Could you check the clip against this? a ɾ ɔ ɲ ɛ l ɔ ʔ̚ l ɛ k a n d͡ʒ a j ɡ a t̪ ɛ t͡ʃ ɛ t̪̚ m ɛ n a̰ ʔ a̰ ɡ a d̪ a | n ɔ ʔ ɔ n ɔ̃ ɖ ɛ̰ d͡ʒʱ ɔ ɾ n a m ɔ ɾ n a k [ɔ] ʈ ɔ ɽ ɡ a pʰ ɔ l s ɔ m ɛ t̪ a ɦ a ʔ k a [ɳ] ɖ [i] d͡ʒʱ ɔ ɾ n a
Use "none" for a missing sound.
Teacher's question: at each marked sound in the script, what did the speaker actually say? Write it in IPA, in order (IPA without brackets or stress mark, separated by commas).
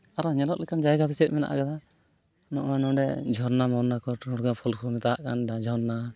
ɔ, n, a